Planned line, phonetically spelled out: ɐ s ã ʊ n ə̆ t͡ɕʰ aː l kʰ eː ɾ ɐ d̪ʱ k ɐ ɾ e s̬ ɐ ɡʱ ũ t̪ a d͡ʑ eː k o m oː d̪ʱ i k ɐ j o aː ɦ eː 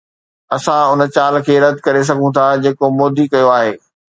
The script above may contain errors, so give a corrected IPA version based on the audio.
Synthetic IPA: ɐ s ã ʊ n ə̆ t͡ɕ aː l kʰ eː ɾ ɐ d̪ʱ k ɐ ɾ e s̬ ɐ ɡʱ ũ t̪ʰ a d͡ʑ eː k o m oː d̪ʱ i k ɐ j o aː ɦ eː